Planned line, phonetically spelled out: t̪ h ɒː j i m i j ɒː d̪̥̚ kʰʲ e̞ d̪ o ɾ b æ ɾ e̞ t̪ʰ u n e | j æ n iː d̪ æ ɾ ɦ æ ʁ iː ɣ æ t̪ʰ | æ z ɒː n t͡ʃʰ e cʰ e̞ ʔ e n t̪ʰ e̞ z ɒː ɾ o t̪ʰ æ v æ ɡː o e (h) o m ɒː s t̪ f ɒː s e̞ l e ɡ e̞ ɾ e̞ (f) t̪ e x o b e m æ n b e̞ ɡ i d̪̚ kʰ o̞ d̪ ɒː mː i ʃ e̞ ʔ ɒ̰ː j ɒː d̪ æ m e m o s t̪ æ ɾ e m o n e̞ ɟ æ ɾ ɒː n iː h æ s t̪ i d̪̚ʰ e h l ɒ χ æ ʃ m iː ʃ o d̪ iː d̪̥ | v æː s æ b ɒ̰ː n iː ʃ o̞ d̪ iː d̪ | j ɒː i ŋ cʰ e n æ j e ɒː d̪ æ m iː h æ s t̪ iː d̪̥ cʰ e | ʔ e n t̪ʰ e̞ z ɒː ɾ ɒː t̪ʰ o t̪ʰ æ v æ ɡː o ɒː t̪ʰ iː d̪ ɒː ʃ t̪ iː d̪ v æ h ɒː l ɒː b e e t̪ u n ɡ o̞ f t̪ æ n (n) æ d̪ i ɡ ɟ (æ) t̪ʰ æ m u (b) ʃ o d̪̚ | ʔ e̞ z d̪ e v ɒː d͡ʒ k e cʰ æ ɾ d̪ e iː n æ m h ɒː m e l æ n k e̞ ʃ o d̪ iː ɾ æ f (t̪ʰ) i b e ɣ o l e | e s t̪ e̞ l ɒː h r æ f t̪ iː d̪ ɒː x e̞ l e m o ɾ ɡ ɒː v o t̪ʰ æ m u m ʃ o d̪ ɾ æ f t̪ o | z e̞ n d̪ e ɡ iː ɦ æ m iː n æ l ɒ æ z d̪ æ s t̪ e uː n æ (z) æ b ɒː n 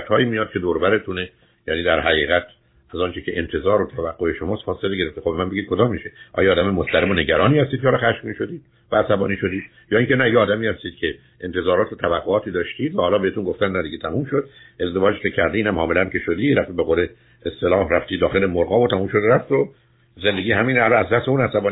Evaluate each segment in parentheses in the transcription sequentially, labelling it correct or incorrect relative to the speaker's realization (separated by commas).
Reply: incorrect, correct, correct, incorrect, incorrect, incorrect, incorrect